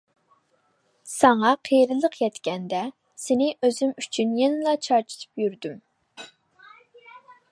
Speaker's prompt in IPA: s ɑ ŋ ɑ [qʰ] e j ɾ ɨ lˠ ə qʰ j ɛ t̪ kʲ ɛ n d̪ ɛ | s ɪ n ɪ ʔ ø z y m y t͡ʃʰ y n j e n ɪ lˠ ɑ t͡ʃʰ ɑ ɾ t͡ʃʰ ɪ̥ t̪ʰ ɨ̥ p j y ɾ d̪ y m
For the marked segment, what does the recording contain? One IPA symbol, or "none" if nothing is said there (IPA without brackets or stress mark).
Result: qʰ